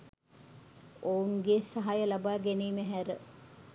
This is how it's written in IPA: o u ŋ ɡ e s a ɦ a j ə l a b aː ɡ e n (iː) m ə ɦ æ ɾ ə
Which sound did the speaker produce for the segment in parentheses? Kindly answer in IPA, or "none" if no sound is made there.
iː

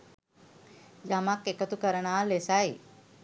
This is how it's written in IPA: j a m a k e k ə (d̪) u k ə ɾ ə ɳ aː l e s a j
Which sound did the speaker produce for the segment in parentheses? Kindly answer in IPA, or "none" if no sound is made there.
t̪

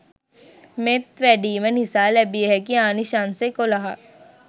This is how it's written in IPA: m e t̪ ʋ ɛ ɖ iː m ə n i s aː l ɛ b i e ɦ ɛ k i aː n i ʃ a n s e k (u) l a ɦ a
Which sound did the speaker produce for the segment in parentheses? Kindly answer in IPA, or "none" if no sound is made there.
o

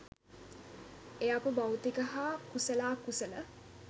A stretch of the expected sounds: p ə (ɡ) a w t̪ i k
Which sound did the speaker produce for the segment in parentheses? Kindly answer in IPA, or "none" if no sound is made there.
b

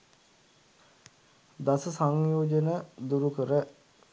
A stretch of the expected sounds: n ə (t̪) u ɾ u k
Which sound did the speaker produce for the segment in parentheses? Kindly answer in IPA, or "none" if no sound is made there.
d̪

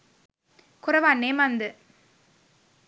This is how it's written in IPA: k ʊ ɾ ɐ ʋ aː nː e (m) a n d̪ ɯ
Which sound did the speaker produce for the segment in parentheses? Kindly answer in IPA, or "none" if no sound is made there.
m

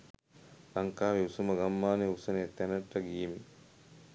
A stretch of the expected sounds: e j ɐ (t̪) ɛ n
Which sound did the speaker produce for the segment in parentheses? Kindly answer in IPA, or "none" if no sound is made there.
t̪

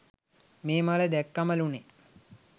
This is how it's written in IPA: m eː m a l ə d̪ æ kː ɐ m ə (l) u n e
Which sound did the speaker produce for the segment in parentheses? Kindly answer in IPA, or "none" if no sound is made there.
l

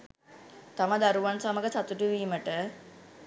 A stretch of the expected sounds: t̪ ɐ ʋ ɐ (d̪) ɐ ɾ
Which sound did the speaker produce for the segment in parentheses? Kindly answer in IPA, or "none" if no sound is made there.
d̪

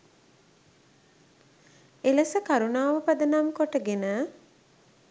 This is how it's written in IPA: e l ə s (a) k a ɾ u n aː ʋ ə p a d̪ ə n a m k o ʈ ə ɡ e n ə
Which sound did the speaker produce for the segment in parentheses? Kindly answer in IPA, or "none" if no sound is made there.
ə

